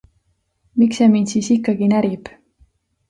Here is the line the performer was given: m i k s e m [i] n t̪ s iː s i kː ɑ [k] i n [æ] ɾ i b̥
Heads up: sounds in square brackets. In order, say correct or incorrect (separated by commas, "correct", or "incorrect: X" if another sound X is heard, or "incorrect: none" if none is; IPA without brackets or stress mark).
correct, incorrect: ɡ, correct